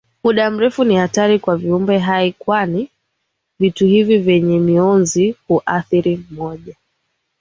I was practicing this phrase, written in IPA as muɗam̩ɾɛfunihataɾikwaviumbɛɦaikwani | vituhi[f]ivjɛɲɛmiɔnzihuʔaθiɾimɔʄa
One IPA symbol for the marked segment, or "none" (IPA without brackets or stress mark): v